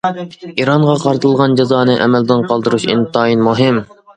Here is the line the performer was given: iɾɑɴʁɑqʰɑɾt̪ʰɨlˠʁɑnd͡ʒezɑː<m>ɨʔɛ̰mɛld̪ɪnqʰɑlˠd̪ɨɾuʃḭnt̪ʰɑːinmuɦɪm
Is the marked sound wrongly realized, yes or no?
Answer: yes